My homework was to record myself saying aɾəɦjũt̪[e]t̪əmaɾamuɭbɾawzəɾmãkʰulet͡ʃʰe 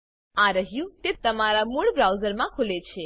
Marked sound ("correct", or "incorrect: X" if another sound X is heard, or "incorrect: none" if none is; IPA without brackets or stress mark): correct